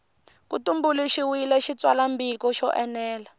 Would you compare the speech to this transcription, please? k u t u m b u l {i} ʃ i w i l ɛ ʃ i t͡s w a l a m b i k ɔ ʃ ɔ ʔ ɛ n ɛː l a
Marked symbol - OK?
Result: yes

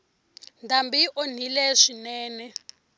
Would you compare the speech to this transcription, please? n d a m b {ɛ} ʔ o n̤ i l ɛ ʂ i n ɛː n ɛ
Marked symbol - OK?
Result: no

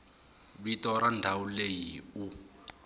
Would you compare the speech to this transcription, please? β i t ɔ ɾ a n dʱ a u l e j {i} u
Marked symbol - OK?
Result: yes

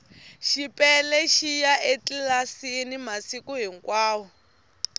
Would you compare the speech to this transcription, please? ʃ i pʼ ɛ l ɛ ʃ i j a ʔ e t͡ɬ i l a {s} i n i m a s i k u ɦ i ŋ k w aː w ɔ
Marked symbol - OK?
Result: yes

